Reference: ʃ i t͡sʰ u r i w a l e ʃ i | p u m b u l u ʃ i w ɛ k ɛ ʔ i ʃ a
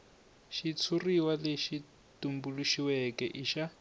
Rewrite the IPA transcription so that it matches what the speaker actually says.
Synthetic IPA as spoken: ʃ i t͡sʰ u r i w a l e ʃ i | t u m b u l u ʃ i w ɛ k ɛ ʔ i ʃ a